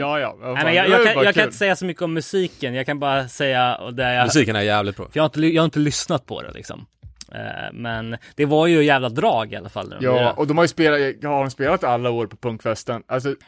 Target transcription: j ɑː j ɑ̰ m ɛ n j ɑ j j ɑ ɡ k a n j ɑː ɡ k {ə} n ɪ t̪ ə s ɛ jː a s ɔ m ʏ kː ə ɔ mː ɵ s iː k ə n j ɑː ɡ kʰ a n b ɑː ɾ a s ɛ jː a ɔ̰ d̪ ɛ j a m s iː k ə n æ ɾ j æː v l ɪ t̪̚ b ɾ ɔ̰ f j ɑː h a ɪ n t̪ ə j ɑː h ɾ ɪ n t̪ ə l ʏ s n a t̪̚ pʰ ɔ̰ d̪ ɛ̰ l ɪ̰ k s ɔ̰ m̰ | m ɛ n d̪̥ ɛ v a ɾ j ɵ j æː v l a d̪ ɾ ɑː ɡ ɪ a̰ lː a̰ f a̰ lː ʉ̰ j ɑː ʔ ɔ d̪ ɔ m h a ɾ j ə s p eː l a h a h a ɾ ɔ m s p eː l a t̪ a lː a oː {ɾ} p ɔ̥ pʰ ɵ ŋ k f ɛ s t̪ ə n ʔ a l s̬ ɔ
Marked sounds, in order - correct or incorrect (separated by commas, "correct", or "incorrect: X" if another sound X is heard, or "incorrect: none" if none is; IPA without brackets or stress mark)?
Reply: incorrect: a, correct